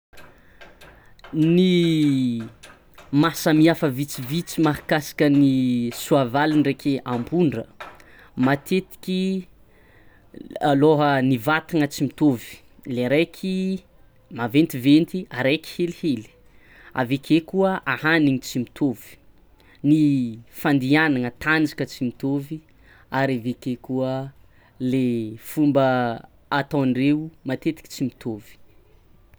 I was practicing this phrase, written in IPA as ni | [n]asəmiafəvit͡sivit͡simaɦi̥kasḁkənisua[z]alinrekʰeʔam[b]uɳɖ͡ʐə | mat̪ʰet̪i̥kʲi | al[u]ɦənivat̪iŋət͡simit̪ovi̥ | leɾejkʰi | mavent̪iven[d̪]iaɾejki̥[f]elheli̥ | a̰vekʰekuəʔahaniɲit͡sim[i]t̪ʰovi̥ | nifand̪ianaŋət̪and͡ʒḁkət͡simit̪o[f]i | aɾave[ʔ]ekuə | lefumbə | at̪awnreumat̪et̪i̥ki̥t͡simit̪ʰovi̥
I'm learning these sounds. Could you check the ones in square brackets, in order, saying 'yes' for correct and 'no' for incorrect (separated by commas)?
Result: no, no, yes, no, no, no, yes, no, no